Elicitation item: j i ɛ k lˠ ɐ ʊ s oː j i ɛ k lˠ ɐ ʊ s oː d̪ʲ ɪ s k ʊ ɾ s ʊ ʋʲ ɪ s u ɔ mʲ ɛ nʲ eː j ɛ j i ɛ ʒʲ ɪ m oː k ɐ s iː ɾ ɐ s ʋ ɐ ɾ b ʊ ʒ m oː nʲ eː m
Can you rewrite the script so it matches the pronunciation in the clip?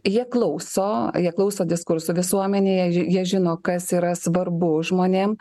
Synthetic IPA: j i ɛ k lˠ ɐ ʊ s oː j i ɛ k lˠ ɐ ʊ s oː d̪ʲ ɪ s k ʊ ɾ s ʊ ʋʲ ɪ s u ɔ mʲ ɛ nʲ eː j ɛ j i ɛ ʒʲ ɪ n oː k ɐ s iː ɾ ɐ s ʋ ɐ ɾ b ʊ ʒ m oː nʲ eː m

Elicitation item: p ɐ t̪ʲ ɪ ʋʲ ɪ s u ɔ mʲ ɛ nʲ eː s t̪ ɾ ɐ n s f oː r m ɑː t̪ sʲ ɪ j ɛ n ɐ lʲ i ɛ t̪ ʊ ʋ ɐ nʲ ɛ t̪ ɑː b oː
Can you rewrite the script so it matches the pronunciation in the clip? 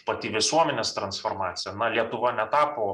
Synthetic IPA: p ɐ t̪ʲ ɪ ʋʲ ɪ s u ɔ mʲ ɛ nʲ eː s t̪ ɾ ɐ n s f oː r m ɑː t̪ sʲ ɪ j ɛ n ɐ lʲ i ɛ t̪ ʊ ʋ ɐ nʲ ɛ t̪ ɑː p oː

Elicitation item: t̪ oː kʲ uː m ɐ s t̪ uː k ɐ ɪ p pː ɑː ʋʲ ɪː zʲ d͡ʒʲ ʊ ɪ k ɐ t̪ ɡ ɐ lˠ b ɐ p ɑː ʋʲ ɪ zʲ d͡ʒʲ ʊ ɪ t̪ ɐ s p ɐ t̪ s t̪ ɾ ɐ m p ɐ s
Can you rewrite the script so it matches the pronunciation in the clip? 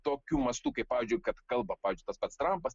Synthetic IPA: t̪ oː kʲ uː m ɐ s t̪ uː k ɐ ɪ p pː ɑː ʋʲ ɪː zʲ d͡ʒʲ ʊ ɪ k ɐ t̪ k ɐ lˠ b ɐ p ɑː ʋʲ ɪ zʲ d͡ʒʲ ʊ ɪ t̪ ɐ s p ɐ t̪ s t̪ ɾ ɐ m p ɐ s

